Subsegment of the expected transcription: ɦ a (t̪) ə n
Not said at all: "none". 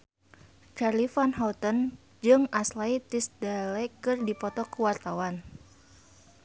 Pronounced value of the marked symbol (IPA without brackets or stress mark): t̪